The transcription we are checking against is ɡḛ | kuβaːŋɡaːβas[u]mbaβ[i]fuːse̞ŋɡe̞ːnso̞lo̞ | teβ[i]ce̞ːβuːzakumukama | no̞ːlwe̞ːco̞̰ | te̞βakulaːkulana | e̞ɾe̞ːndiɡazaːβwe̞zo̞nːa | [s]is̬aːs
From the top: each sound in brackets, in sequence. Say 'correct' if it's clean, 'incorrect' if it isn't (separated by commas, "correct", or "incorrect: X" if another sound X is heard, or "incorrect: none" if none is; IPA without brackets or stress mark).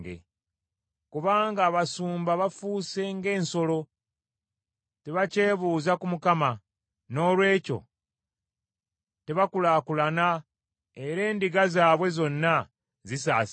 incorrect: uː, incorrect: a, incorrect: a, incorrect: z